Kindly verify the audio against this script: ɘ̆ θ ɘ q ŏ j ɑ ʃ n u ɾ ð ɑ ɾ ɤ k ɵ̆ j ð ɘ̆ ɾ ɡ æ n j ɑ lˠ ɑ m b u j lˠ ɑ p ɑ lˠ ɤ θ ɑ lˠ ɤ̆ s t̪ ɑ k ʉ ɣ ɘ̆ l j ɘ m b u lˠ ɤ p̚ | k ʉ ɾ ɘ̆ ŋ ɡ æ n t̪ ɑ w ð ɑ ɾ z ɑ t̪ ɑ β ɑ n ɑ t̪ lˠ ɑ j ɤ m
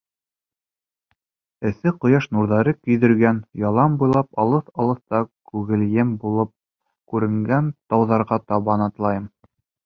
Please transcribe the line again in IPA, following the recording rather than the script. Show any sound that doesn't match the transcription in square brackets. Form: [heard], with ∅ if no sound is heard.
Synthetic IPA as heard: ɘ̆ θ ɘ q ŏ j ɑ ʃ n u ɾ ð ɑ ɾ ɤ k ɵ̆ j ð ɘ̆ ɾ ɡ æ n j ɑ lˠ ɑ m b u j lˠ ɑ p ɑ lˠ ɤ θ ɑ lˠ ɤ̆ [θ] t̪ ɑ k ʉ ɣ ɘ̆ l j ɘ m b u lˠ ɤ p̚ | k ʉ ɾ ɘ̆ ŋ ɡ æ n t̪ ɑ w ð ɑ ɾ [ʁ] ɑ t̪ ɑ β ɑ n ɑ t̪ lˠ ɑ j ɤ m